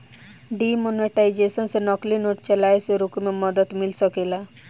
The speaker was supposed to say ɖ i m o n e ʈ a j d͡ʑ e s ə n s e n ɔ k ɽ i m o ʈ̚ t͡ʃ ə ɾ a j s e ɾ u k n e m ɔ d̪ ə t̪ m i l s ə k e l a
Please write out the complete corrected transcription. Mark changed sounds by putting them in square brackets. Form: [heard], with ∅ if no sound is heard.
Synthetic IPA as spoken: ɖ i m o n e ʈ a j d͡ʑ e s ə n s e n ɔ k [l] i [n] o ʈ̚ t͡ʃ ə [l] a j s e ɾ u k [m] e m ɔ d̪ ə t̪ m i l s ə k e l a